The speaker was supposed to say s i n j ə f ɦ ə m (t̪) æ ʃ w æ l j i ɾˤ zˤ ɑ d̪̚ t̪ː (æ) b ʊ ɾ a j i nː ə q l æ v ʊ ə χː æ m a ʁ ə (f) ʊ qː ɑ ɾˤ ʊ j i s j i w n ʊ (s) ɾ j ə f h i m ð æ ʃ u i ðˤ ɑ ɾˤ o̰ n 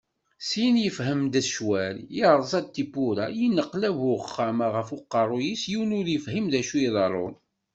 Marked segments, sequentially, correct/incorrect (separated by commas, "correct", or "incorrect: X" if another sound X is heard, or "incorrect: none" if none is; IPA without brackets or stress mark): incorrect: d̪, incorrect: i, correct, incorrect: none